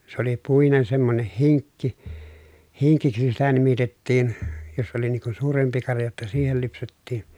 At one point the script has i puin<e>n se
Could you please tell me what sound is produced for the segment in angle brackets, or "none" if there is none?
e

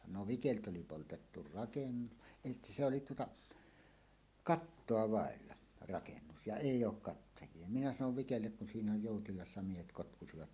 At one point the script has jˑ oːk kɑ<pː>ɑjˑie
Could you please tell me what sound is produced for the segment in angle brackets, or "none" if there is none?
tː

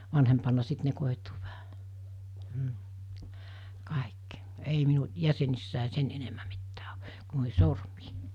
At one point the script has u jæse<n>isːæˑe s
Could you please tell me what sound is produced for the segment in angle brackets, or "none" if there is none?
n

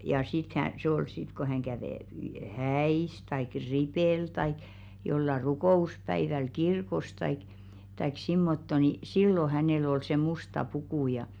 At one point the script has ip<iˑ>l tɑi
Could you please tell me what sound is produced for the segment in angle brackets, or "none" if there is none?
eˑ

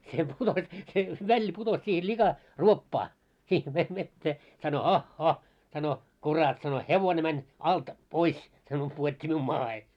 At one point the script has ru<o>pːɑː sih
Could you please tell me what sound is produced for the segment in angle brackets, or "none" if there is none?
o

